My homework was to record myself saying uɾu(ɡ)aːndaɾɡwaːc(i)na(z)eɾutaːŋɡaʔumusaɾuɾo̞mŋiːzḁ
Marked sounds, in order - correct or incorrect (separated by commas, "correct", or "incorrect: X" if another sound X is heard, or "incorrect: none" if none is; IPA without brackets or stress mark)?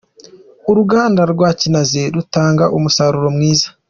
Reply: correct, correct, correct